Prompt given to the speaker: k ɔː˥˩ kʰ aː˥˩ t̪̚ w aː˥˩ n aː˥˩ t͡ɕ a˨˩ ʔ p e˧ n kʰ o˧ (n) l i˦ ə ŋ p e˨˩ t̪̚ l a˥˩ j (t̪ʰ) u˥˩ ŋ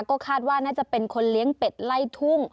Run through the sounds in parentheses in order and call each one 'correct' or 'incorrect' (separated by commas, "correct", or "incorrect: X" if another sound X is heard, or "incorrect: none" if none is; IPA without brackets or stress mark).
correct, correct